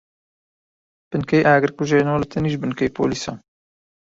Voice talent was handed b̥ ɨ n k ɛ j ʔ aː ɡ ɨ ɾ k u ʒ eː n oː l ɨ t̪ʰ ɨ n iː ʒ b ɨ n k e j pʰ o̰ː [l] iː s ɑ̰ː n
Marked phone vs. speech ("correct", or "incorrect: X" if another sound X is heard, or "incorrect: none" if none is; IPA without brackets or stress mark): correct